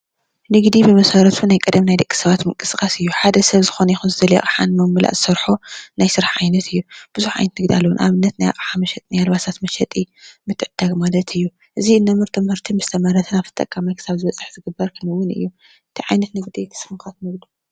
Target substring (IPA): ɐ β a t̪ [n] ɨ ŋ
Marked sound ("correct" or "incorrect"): incorrect